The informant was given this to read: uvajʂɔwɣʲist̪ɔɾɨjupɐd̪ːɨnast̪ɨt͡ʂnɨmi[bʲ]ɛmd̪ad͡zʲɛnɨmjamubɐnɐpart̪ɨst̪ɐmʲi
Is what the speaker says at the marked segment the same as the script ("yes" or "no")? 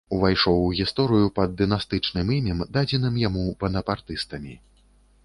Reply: no